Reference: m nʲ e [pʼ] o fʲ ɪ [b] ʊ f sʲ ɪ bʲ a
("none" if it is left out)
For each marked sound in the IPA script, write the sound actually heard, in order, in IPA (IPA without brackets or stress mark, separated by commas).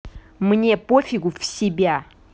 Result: p, ɡ